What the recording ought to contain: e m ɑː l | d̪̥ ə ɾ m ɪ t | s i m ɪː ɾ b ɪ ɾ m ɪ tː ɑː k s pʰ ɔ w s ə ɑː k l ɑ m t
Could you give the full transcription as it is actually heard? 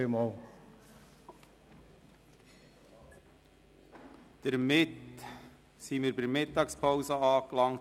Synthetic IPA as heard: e m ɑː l | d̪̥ ə ɾ m ɪ t | s i m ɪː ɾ b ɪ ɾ m ɪ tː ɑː k s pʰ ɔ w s ə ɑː k l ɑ ŋ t